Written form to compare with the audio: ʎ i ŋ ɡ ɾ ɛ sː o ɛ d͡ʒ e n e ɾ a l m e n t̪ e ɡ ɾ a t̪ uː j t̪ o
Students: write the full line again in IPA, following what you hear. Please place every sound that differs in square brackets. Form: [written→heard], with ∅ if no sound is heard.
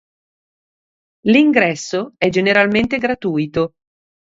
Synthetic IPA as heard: [ʎ→l] i ŋ ɡ ɾ ɛ sː o ɛ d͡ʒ e n e ɾ a l m e n t̪ e ɡ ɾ a t̪ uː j t̪ o